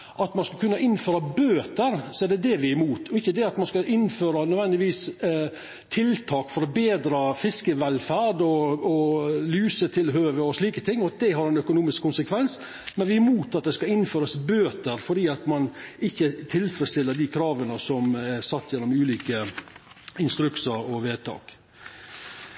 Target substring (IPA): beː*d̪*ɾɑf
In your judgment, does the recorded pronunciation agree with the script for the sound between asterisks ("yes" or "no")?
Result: yes